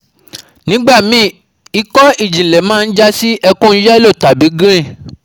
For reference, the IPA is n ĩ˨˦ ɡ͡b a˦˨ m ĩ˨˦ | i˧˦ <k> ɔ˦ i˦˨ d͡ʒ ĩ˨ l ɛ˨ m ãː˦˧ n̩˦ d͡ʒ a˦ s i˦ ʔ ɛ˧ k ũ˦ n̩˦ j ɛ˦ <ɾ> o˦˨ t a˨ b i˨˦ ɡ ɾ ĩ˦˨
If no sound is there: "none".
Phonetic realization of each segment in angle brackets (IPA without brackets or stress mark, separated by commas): k, l